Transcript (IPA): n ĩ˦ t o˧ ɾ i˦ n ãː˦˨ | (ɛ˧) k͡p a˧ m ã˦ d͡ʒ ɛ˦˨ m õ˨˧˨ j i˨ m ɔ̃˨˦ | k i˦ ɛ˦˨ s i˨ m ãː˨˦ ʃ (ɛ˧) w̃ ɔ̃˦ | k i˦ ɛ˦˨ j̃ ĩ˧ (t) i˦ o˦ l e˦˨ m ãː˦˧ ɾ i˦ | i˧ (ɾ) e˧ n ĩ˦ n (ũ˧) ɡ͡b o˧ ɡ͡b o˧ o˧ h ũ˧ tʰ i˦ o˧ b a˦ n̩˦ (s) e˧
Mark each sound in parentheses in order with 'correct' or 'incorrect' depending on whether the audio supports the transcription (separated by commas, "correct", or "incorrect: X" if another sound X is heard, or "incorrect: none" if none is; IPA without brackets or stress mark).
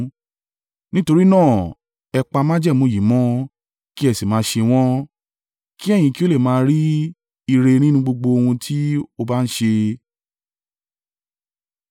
correct, incorrect: e˧, incorrect: k, correct, correct, incorrect: ʃ